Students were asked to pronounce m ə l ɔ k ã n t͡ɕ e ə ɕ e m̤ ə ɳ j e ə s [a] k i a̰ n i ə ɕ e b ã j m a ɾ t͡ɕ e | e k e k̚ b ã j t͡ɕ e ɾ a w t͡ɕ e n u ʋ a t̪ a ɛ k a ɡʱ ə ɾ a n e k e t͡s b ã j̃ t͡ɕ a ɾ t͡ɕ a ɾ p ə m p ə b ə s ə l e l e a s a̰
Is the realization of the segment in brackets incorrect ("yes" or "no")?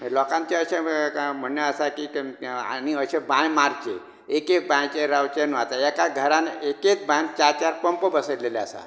no